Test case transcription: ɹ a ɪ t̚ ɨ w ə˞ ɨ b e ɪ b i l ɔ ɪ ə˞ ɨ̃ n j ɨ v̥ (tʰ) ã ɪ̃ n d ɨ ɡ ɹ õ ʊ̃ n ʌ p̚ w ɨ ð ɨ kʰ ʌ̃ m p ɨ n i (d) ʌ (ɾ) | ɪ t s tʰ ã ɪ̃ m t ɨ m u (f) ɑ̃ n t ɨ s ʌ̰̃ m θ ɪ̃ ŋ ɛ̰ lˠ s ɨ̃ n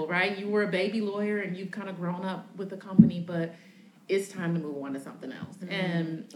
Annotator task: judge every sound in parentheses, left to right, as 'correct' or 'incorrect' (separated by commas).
incorrect, incorrect, correct, incorrect